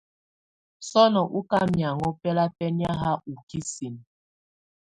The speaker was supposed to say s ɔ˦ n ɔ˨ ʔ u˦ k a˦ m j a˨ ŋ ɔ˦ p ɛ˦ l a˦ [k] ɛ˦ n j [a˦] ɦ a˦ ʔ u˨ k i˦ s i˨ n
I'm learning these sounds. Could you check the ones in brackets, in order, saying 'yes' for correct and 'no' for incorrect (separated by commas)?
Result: no, yes